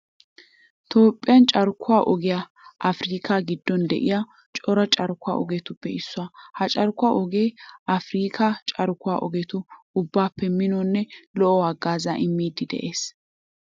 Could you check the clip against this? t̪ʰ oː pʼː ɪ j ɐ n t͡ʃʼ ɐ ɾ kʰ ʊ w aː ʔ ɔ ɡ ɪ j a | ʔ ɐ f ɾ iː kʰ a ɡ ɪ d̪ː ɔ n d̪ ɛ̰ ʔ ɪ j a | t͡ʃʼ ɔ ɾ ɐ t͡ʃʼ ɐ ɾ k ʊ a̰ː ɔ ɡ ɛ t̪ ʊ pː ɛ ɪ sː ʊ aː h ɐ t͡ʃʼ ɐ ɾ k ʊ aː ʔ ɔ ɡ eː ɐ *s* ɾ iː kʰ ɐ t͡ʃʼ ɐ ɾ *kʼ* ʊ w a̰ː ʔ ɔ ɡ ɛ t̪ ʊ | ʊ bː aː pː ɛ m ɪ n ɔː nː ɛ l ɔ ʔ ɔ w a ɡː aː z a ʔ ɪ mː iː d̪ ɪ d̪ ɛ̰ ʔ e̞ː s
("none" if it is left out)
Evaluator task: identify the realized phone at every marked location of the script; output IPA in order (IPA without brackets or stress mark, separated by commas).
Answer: f, k